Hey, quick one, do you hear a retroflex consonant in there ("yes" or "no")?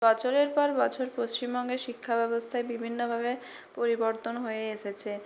no